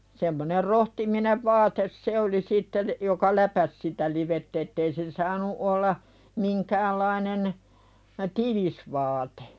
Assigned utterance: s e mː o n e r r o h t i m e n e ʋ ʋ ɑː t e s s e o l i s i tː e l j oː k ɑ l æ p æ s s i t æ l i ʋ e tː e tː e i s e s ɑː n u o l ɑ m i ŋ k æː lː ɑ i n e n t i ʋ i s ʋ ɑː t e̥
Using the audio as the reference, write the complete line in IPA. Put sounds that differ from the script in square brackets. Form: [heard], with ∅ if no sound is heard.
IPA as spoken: s e mː o n e r r o h t i m [i] n e ʋ ʋ ɑː t e s s e o l i s i tː e l j [o] k ɑ l æ p æ s s i t æ l i ʋ e tː e tː e i s e s ɑː n u o [lː] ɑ m i ŋ k æː lː ɑ i n e n t i ʋ i s ʋ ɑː t e̥